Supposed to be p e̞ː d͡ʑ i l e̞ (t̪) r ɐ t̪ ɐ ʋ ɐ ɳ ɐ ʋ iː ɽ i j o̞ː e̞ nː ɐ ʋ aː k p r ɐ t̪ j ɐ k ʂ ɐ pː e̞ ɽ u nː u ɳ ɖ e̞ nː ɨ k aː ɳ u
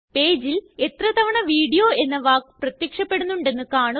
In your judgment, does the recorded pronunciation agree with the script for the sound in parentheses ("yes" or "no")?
yes